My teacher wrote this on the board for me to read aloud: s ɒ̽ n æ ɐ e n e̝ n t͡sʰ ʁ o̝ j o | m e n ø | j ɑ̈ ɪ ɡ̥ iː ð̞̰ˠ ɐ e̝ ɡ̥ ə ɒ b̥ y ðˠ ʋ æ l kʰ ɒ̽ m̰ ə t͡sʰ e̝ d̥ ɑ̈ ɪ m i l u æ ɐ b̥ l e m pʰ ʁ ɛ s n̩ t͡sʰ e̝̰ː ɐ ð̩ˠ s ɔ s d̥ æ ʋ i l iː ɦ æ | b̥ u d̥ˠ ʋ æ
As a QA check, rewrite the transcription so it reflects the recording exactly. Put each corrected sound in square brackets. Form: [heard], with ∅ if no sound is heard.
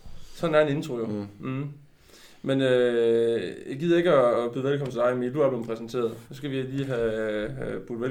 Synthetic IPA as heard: s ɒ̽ n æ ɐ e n e̝ n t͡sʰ ʁ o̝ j o | m e n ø | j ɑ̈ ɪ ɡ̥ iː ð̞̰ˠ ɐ e̝ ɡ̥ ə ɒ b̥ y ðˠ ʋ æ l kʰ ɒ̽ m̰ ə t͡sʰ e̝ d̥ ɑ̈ ɪ m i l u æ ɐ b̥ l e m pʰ ʁ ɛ s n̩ t͡sʰ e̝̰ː ɐ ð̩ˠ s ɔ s [ɡ̥] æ ʋ i l iː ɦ æ | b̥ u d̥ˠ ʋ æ